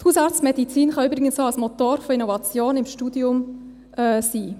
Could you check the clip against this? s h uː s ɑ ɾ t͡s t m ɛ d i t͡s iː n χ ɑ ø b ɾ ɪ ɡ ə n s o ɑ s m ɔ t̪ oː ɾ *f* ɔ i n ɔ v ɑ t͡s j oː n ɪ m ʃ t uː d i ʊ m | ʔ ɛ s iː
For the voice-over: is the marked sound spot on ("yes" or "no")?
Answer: yes